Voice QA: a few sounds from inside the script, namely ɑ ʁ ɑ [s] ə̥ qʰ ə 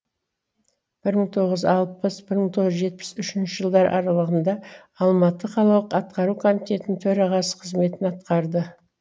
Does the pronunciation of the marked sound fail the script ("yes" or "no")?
no